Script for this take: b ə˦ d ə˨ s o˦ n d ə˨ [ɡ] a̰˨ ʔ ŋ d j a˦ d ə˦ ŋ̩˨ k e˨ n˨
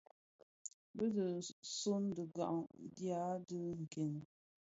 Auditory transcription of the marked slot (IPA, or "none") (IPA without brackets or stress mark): ɡ